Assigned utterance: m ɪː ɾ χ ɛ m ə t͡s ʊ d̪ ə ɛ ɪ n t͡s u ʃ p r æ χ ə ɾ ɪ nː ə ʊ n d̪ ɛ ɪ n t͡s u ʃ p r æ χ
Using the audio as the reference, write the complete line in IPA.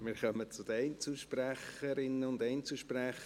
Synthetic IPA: m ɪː ɾ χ œ m ə t͡s ʊ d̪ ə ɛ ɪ n t͡s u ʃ p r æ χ ə ɾ ɪ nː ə ʊ n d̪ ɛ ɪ n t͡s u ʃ p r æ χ